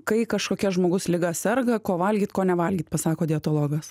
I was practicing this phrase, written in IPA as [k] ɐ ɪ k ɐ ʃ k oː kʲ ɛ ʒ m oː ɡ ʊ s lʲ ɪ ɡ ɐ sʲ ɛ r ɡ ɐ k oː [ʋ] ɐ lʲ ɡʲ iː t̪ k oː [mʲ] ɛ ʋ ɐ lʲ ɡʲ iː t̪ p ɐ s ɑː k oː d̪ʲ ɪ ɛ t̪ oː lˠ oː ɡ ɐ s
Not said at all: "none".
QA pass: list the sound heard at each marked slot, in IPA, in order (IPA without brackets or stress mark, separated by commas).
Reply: k, ʋ, nʲ